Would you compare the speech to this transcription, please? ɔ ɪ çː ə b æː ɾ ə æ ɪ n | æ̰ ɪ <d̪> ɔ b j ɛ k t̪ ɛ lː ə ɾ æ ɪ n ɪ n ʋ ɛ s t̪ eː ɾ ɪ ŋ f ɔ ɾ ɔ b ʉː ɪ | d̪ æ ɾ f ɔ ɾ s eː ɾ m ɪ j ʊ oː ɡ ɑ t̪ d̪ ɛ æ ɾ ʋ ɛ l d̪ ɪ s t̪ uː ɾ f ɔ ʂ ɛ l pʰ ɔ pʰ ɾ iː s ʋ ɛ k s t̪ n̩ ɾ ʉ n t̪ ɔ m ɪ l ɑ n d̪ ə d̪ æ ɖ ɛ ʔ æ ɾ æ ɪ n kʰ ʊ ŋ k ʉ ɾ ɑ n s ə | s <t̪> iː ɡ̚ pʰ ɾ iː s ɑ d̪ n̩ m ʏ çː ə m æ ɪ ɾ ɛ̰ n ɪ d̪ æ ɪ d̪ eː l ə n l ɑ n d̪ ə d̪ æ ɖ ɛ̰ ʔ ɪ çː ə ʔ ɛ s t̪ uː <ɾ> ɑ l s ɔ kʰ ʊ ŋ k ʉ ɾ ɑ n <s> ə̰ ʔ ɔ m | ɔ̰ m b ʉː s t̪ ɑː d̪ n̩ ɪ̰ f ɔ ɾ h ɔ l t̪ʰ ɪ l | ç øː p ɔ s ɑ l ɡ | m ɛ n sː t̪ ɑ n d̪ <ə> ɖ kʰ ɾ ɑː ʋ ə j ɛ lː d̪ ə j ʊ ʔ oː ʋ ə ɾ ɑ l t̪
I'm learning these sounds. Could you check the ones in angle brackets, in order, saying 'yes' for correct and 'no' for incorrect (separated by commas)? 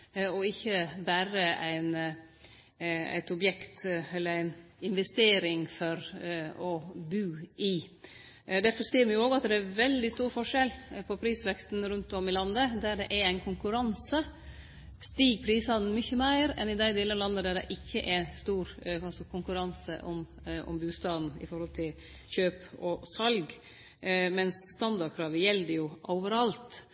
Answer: no, yes, yes, yes, no